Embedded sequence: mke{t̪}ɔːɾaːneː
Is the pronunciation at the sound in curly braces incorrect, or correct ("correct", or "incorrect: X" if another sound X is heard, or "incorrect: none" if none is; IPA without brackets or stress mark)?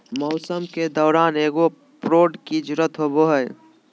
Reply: incorrect: d̪